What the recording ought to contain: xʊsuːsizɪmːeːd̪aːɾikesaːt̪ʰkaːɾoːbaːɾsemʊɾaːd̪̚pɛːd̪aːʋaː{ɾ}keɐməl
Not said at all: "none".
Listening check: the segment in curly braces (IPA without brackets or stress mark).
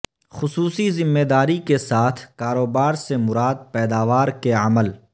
ɾ